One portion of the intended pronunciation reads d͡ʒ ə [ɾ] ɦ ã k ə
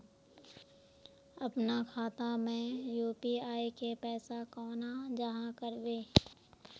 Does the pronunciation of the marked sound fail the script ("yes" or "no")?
yes